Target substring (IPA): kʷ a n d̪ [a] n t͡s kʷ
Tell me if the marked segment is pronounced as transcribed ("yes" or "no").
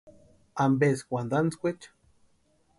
yes